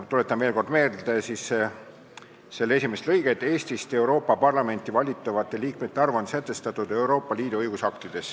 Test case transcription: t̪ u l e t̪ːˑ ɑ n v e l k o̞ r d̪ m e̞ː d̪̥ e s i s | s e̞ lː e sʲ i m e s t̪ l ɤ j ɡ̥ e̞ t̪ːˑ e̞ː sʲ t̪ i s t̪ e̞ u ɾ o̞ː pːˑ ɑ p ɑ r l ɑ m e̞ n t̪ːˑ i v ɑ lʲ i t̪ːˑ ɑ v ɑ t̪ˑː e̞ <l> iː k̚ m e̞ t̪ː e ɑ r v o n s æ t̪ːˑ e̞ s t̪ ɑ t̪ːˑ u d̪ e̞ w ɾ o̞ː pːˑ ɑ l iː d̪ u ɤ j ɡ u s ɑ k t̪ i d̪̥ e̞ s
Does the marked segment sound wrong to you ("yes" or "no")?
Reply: no